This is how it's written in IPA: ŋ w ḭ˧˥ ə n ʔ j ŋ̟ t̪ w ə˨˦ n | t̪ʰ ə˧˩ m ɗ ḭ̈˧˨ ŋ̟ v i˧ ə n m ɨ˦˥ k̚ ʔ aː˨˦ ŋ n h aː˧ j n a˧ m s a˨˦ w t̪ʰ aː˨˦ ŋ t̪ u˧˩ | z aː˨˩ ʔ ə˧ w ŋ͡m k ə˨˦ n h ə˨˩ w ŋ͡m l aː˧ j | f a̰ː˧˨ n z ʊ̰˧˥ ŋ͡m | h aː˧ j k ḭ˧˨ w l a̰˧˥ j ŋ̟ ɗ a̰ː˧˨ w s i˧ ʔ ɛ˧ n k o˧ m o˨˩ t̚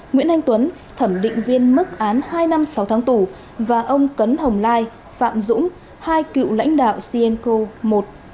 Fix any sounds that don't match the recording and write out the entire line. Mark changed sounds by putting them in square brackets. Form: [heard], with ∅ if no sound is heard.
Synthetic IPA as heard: ŋ w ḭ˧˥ ə n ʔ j ŋ̟ t̪ w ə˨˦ n | t̪ʰ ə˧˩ m ɗ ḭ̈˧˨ ŋ̟ v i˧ ə n m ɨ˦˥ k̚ ʔ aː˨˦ [∅] n h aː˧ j n a˧ m s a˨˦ w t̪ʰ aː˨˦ ŋ t̪ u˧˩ | [v] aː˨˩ ʔ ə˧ w ŋ͡m k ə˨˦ n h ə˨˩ w ŋ͡m l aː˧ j | f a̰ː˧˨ [m] z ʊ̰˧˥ ŋ͡m | h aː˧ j k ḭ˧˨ w l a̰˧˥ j ŋ̟ ɗ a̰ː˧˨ w s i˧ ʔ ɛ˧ n k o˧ m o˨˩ t̚